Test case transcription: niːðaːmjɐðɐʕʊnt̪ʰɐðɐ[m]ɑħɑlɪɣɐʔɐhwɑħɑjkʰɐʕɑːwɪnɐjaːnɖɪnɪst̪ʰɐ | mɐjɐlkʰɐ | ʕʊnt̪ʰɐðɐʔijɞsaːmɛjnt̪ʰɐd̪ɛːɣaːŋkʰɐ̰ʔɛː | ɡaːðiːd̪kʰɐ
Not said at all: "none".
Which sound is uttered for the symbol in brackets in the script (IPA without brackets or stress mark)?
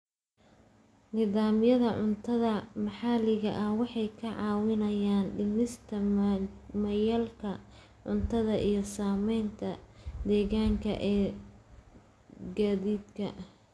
m